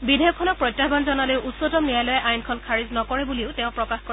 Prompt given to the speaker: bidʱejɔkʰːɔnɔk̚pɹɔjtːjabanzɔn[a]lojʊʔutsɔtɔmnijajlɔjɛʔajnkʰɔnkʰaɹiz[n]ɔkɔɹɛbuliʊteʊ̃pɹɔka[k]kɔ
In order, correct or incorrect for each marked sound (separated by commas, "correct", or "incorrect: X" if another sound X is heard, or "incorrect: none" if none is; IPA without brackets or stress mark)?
correct, correct, incorrect: x